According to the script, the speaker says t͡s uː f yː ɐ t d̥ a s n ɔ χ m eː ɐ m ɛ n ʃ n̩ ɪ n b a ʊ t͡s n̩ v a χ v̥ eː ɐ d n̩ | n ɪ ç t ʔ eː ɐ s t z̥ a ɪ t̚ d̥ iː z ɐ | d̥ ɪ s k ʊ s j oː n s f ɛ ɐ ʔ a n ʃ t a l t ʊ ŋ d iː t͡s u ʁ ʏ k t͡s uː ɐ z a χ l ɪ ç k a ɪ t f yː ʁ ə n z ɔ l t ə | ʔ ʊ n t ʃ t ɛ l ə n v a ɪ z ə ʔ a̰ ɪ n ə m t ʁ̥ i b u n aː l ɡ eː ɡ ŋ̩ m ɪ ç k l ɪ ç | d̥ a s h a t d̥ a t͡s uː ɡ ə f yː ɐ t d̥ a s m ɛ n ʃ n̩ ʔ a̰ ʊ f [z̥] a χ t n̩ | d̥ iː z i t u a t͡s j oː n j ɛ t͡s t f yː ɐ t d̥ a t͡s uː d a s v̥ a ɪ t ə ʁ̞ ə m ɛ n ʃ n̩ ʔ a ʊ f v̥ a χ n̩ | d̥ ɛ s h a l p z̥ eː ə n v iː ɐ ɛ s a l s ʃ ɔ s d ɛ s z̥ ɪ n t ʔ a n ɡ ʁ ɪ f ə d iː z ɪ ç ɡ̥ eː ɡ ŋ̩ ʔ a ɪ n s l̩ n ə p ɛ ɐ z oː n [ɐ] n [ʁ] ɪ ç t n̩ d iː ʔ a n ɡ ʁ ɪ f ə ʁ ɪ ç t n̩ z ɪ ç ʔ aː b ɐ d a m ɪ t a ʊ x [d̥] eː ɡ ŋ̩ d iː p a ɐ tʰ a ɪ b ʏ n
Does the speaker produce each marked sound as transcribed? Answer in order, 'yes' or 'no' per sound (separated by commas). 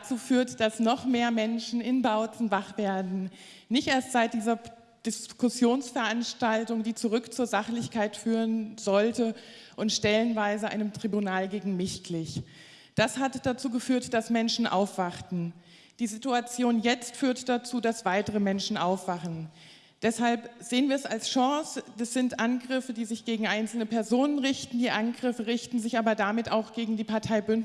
no, no, yes, no